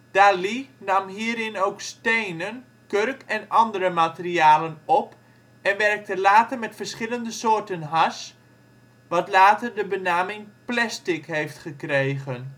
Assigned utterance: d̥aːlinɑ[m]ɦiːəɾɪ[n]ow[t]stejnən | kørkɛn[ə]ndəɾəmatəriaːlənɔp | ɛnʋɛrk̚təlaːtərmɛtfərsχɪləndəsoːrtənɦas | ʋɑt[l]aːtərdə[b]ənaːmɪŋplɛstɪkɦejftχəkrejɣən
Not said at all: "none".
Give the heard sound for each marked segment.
m, n, k, ɑ, l, b

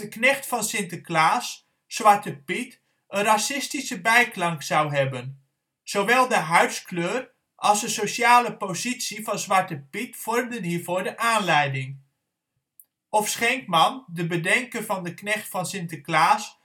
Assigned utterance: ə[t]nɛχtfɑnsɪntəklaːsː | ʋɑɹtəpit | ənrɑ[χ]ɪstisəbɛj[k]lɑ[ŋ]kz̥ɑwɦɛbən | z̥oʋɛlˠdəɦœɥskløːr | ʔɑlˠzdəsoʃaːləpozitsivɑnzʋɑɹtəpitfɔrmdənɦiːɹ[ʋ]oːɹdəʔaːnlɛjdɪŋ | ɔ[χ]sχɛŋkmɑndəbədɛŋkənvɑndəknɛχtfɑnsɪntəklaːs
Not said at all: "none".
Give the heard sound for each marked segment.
k, s, k, ŋ, v, f

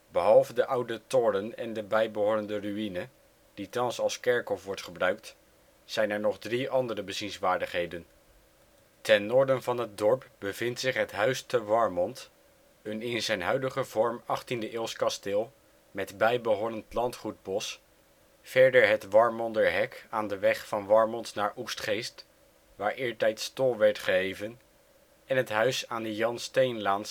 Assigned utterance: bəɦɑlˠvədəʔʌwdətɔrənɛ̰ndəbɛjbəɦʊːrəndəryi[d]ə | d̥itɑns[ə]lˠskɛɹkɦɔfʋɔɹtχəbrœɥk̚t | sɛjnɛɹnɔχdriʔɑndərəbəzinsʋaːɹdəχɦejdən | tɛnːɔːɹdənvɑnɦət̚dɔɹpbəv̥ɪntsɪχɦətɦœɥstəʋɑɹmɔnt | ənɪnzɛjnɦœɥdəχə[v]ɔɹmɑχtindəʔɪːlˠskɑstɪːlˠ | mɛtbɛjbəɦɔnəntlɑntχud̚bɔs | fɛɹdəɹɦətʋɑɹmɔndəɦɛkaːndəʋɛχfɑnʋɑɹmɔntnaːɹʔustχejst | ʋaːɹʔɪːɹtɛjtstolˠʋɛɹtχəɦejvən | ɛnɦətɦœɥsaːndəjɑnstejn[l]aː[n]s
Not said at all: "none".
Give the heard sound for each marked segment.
n, ɑ, v, l, n

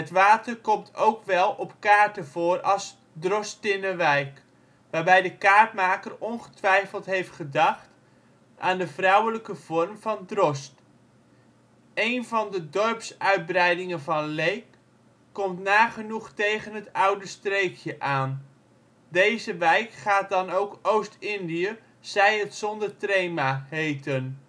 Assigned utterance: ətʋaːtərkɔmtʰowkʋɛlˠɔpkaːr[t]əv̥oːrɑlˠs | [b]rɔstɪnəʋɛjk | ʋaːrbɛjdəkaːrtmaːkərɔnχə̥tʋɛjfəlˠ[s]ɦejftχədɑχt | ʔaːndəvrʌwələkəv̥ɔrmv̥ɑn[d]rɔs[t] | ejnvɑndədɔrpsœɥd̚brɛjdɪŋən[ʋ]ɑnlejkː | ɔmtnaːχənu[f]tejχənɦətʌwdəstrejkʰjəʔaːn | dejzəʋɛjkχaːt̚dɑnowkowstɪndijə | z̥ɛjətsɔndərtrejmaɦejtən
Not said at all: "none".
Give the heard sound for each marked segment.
t, d, t, d, t, v, χ

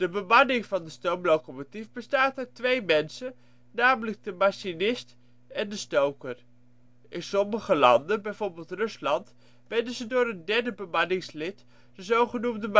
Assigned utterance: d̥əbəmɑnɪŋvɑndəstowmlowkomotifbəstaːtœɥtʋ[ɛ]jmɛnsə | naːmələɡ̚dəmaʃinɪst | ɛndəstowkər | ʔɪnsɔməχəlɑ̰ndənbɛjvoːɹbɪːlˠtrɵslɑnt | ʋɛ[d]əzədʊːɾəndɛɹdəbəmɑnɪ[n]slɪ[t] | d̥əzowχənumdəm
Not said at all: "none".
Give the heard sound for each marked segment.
e, d, ŋ, t

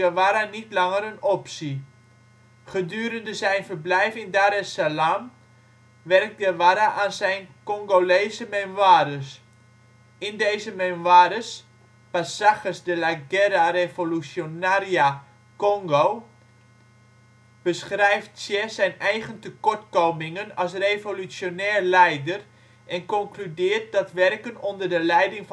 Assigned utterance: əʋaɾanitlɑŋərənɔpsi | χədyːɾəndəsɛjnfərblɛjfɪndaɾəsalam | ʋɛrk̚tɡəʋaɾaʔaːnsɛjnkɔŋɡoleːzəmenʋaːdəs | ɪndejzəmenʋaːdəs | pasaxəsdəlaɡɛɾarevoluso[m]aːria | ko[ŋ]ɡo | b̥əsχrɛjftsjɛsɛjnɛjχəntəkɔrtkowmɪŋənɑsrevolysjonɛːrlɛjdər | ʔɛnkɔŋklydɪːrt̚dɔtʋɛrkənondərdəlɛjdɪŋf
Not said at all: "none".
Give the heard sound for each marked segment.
n, ŋ

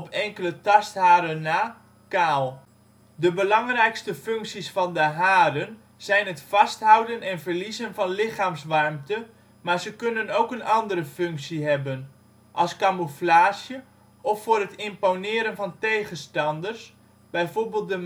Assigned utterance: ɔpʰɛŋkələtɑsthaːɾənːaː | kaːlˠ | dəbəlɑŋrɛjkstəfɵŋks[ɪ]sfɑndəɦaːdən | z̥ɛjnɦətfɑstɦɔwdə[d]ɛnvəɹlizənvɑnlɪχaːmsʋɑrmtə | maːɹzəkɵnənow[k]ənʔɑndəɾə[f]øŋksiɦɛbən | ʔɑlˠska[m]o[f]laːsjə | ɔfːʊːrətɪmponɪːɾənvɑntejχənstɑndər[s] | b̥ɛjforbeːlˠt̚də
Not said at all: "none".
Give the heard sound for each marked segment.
i, n, k, f, m, f, s

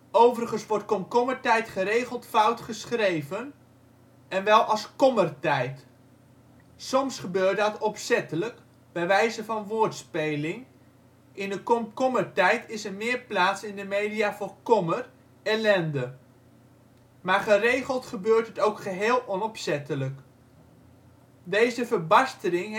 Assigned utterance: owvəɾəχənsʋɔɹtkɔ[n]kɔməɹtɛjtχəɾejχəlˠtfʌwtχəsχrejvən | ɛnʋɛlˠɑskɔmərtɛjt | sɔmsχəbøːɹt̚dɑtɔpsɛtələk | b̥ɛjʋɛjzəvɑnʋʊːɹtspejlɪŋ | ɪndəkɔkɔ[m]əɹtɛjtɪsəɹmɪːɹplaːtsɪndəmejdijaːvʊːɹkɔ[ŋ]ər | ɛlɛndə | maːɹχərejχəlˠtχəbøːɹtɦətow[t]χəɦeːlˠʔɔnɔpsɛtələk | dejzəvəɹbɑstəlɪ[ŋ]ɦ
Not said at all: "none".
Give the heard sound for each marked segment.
m, m, m, k, ŋ

